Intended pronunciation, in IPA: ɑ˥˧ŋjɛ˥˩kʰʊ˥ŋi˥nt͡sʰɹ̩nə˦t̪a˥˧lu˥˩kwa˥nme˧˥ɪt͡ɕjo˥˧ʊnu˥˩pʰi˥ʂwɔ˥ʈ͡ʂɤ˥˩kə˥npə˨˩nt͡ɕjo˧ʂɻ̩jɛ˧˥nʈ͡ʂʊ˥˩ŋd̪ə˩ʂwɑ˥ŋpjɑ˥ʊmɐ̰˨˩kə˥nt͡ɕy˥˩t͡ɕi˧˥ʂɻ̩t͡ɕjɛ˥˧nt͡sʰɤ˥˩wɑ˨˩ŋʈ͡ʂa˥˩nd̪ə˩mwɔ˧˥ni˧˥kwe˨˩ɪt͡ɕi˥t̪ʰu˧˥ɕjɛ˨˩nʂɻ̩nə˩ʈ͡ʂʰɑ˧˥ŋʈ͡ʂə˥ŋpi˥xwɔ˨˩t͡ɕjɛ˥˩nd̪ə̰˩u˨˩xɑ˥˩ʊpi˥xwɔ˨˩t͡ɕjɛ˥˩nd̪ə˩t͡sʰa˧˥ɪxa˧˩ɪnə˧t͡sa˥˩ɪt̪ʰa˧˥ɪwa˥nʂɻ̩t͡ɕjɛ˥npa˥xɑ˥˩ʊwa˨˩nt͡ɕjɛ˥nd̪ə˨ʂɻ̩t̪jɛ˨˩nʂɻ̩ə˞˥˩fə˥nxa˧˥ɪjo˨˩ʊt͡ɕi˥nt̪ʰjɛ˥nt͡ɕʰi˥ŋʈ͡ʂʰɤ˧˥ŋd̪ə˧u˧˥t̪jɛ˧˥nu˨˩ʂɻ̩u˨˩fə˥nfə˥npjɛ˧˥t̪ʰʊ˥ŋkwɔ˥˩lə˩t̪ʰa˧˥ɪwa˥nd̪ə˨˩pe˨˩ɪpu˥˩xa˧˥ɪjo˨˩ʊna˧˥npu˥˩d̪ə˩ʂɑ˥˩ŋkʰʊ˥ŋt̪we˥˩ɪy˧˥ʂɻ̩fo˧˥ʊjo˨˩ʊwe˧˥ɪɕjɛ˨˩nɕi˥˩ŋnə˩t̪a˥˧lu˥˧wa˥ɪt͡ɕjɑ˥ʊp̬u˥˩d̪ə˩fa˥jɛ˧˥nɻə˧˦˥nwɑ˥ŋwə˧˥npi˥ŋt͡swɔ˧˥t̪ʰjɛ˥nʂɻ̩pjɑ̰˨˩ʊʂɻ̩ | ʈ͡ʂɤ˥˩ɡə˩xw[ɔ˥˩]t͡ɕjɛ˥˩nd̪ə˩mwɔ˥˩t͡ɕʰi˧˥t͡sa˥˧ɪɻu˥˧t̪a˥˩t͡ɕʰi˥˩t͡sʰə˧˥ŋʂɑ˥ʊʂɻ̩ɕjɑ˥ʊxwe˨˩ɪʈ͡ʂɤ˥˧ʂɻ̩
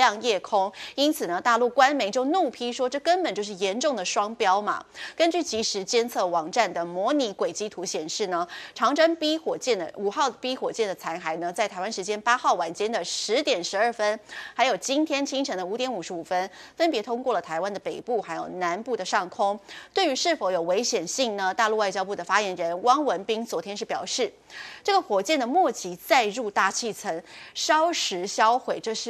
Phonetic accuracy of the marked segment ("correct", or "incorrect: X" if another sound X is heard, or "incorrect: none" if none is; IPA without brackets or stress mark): incorrect: ɔ˨˩